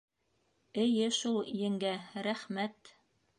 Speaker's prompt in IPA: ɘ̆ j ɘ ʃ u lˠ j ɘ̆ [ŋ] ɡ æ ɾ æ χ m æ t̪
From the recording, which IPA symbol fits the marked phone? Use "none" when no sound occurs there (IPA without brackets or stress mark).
ŋ